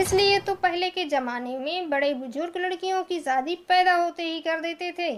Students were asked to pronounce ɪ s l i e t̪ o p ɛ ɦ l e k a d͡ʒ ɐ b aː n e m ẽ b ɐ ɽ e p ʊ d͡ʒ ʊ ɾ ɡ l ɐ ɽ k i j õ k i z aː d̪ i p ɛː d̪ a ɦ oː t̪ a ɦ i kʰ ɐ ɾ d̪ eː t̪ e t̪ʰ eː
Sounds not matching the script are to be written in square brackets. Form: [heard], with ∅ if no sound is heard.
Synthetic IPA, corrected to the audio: ɪ s l i e t̪ o p ɛ ɦ l e k [e] d͡ʒ ɐ [m] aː n e m ẽ b ɐ ɽ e [b] ʊ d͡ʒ ʊ ɾ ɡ l ɐ ɽ k i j õ k i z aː d̪ i p ɛː d̪ a ɦ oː t̪ [e] ɦ i [k] ɐ ɾ d̪ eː t̪ e t̪ʰ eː